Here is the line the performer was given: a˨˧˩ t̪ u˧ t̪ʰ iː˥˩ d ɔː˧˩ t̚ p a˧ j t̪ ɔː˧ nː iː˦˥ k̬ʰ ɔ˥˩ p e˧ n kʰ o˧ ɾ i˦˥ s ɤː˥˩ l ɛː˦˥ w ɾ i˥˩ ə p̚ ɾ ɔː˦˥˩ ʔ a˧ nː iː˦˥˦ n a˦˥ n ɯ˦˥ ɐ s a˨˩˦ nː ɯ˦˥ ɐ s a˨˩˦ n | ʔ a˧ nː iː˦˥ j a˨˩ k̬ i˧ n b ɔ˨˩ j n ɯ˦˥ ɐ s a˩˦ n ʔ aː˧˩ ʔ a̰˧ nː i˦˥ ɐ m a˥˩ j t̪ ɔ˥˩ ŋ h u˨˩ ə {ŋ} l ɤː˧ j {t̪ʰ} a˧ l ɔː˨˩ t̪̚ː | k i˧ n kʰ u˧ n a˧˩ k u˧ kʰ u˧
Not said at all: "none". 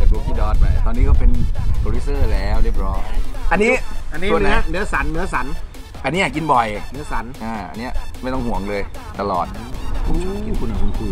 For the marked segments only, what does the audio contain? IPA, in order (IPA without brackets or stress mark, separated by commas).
ŋ, t̪